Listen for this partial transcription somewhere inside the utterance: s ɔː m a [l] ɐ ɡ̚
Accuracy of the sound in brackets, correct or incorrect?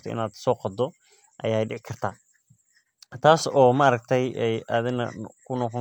incorrect: ɾ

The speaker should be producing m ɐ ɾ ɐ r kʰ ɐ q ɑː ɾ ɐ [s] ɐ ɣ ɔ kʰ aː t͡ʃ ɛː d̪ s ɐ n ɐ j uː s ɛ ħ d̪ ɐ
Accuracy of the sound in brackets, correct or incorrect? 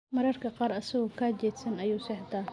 correct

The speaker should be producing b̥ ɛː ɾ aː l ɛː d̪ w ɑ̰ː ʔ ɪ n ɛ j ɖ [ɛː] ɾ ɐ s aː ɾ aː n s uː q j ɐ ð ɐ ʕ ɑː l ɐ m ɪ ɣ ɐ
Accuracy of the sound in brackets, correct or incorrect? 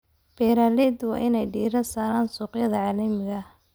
incorrect: iː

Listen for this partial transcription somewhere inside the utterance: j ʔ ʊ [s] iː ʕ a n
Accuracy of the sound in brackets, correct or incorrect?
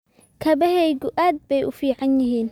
incorrect: f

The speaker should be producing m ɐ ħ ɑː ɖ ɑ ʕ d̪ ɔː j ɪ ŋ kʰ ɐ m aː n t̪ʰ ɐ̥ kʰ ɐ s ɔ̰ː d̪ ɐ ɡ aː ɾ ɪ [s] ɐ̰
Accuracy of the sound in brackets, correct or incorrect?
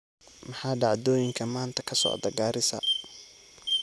correct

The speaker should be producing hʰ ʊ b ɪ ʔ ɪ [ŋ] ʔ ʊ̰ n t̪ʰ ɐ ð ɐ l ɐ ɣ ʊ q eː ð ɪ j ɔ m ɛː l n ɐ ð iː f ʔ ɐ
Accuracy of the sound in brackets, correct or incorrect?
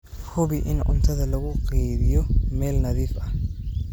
incorrect: n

